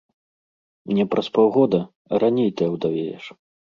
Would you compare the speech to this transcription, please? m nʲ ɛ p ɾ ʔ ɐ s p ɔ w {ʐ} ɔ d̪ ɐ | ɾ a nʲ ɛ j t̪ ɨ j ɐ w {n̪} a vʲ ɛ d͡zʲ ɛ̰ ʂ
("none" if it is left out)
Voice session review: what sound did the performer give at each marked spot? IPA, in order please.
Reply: ɣ, d̪

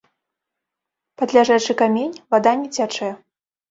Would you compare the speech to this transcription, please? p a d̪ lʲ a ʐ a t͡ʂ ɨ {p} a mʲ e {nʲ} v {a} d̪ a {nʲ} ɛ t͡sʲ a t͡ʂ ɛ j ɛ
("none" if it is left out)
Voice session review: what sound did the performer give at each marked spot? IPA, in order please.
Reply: k, nʲ, a, nʲ

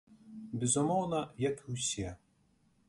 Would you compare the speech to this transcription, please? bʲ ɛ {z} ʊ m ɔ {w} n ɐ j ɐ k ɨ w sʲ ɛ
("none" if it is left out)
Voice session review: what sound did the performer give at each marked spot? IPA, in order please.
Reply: z, w

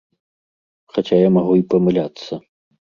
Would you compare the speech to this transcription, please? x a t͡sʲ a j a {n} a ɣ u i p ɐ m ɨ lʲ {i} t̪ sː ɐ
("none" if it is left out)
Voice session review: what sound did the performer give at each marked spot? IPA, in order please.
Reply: m, a

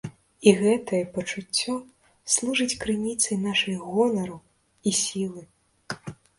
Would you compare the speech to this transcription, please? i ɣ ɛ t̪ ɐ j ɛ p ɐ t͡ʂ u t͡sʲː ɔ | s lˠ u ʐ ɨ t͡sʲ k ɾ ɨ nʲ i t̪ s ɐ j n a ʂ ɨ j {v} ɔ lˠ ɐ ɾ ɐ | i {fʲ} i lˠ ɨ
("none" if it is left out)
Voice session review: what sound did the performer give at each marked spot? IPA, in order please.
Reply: ɣ, sʲ

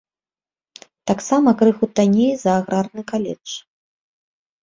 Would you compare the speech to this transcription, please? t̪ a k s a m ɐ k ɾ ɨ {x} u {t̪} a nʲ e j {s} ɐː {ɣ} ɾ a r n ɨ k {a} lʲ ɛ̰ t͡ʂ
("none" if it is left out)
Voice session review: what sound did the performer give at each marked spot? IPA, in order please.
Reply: x, t̪, z, ɣ, a

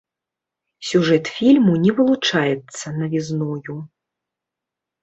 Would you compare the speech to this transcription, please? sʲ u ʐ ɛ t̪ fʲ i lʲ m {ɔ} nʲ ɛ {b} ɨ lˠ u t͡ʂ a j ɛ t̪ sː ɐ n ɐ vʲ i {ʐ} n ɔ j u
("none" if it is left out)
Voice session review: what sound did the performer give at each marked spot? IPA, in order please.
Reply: u, v, z

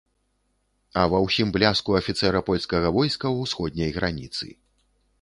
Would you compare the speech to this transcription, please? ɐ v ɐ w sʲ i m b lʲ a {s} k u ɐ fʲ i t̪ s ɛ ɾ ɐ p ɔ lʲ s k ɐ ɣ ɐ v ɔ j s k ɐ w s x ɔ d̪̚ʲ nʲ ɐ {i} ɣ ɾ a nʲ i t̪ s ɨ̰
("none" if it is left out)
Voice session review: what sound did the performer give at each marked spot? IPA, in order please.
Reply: s, j

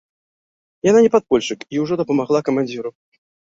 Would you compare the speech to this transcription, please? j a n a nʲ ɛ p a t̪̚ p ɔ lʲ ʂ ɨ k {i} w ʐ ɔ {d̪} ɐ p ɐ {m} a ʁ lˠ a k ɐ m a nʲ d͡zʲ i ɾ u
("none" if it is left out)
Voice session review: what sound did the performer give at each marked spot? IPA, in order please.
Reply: i, d̪, m

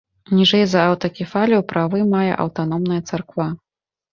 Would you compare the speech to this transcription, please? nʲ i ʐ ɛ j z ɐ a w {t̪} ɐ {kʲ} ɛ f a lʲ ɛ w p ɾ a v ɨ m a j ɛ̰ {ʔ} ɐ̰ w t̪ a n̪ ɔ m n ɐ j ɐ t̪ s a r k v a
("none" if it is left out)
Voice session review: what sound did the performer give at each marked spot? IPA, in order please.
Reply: t̪, kʲ, ʔ

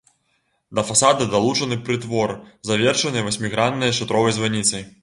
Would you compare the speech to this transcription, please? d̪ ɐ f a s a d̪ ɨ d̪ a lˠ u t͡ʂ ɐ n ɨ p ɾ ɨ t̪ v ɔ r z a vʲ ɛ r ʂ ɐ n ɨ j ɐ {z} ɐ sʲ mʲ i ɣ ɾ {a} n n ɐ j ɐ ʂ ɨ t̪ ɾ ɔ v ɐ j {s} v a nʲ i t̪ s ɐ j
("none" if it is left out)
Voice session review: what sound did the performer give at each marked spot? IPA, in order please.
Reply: v, a, z

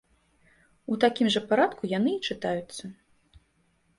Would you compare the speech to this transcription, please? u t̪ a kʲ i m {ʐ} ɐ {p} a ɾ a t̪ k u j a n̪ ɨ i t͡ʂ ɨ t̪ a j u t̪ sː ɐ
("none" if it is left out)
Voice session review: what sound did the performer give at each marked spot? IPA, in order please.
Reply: ʐ, p

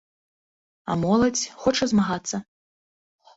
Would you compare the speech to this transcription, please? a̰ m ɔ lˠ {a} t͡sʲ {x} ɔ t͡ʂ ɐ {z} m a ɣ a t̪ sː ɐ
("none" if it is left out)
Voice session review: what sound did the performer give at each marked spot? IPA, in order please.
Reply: ɐ, x, z

